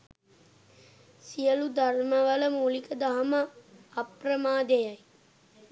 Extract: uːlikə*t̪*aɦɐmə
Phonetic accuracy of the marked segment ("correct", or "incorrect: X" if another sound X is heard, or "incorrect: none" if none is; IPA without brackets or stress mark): incorrect: d̪